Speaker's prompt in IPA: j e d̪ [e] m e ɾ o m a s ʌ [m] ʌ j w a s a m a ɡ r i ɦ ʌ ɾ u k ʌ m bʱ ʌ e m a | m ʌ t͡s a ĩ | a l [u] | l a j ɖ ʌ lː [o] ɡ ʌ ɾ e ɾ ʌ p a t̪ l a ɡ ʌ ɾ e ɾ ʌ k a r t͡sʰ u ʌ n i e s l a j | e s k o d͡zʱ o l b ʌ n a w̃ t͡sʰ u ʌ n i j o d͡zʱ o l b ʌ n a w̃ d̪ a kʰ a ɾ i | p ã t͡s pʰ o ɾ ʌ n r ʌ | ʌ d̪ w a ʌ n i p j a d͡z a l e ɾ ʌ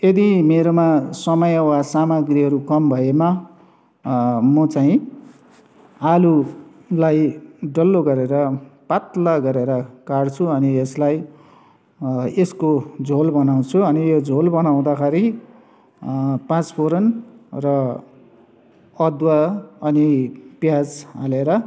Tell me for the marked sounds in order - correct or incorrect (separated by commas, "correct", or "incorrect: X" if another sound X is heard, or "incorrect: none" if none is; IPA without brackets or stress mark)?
incorrect: i, correct, correct, correct